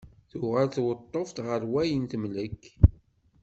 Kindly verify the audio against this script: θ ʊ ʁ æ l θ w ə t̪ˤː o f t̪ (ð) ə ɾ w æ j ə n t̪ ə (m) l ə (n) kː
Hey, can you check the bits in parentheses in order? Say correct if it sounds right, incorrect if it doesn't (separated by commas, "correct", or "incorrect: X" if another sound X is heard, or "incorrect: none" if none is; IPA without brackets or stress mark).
incorrect: ʁ, correct, incorrect: none